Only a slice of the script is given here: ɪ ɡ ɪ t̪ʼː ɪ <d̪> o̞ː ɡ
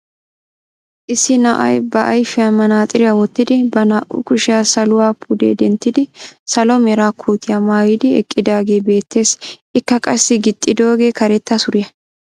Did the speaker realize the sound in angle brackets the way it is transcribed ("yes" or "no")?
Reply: yes